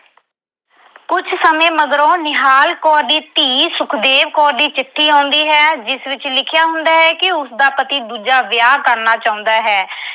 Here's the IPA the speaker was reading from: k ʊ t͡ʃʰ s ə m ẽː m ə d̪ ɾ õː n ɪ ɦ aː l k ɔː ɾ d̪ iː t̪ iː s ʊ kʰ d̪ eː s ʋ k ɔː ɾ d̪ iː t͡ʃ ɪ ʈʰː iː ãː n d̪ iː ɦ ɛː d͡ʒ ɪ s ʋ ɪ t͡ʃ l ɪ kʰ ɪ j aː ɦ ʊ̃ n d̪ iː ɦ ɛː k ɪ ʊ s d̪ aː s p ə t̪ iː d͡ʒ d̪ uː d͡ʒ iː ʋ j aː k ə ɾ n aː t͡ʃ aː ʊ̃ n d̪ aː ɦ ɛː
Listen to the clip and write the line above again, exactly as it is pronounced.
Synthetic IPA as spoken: k ʊ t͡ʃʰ s ə m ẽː m ə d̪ ɾ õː n ɪ ɦ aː l k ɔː ɾ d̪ iː t̪ iː s ʊ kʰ d̪ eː ʋ k ɔː ɾ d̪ iː t͡ʃ ɪ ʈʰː iː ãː n d̪ iː ɦ ɛː d͡ʒ ɪ s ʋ ɪ t͡ʃ l ɪ kʰ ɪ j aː ɦ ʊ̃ n d̪ aː ɦ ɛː k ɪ ʊ s d̪ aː p ə t̪ iː d̪ uː d͡ʒ aː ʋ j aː k ə ɾ n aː t͡ʃ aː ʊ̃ n d̪ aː ɦ ɛː